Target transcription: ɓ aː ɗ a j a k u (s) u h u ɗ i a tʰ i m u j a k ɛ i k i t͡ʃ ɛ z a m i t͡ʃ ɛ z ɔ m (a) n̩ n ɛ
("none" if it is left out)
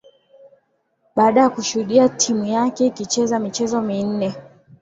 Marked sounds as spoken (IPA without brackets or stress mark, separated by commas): ʃ, i